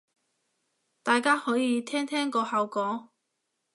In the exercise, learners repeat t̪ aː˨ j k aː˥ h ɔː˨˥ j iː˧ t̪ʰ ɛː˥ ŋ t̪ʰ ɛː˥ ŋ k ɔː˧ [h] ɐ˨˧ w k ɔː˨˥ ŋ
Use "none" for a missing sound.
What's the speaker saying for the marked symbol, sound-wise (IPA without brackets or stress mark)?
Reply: h